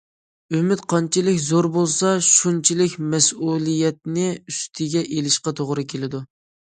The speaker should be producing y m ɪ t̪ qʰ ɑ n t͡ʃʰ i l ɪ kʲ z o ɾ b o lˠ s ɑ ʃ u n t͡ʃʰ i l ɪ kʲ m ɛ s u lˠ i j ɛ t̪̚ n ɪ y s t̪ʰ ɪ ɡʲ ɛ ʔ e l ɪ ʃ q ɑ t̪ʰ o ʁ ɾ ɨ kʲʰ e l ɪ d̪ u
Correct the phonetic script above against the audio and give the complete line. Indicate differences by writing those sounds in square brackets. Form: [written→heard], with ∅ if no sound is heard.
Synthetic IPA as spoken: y m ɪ t̪ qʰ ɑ n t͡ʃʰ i l ɪ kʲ z o ɾ b o lˠ s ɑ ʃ u n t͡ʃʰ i l ɪ kʲ m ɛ s u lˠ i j ɛ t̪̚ n ɪ y s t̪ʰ ɪ ɡʲ ɛ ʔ e l ɪ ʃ q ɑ t̪ʰ o ʁ ɾ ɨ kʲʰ e l ɪ d̪ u